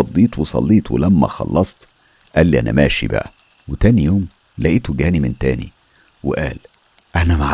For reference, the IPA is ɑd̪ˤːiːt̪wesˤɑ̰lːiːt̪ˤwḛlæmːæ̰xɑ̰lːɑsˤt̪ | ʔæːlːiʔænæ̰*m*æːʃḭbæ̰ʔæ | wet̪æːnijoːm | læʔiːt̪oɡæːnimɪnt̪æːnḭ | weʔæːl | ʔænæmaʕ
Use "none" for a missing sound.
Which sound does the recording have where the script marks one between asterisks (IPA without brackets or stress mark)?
m